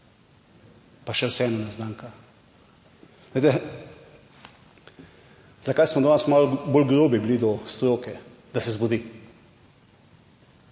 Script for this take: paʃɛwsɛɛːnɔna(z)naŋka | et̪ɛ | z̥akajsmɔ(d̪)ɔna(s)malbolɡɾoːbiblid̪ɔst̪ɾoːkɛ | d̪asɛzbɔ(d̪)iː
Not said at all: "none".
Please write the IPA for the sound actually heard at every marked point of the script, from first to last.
z, d̪, s, d̪

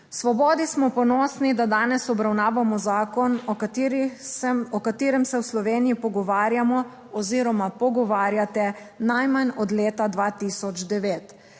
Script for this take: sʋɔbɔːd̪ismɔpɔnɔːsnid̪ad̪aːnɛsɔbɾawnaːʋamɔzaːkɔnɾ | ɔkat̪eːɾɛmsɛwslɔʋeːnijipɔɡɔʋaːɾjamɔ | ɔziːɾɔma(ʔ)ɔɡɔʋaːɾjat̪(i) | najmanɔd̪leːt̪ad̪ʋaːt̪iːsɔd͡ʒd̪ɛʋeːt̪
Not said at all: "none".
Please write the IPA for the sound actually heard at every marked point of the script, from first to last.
p, ɛ

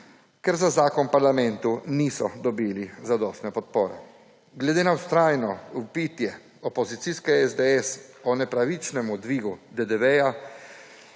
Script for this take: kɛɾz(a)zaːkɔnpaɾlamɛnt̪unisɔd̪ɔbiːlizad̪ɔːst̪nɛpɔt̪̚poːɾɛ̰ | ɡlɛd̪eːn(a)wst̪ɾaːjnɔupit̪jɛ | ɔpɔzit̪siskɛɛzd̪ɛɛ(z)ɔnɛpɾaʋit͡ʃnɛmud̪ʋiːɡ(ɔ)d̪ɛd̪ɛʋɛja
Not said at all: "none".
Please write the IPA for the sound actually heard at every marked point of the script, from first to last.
a, a, s, u

